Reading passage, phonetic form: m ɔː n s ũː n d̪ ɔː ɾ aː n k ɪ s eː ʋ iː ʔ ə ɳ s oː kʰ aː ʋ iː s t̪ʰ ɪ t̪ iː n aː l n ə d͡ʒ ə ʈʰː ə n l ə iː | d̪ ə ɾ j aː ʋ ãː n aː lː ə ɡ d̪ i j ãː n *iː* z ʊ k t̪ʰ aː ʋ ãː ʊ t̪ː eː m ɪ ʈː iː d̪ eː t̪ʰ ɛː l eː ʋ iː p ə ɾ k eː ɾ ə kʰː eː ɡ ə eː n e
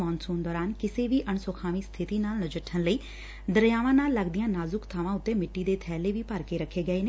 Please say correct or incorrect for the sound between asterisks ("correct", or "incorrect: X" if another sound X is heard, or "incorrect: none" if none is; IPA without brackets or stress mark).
incorrect: aː